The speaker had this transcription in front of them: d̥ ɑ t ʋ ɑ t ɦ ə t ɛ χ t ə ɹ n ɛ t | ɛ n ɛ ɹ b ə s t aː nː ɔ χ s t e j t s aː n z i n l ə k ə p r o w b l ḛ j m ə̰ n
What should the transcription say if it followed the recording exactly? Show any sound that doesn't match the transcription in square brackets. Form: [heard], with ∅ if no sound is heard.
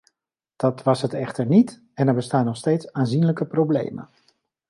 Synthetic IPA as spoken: d̥ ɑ t ʋ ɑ [s] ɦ ə t ɛ χ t ə ɹ n [i] t | ɛ n ɛ ɹ b ə s t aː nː ɔ χ s t e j t s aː n z i n l ə k ə p r o w b l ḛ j m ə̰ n